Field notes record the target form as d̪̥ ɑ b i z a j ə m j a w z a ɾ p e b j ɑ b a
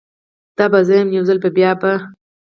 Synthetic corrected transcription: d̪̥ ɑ b a z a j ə m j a w z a l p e b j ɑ b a